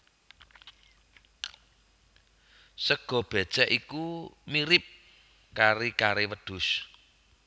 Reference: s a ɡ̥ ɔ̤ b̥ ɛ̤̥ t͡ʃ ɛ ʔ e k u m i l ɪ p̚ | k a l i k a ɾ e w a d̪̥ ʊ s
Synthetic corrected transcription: s ə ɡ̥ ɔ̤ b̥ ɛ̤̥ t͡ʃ ɛ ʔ i k u m i ɾ ɪ p̚ | k a ɾ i k a ɾ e w ə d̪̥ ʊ s